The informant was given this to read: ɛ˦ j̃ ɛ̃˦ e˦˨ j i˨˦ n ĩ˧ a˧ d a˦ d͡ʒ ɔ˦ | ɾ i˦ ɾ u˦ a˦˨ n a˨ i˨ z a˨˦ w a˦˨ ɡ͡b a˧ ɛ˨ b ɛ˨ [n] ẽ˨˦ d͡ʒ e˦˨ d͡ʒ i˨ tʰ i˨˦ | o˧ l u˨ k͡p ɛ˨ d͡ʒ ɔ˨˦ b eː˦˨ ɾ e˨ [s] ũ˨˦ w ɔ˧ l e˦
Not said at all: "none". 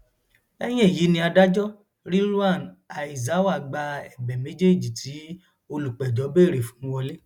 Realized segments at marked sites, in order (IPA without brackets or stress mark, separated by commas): m, f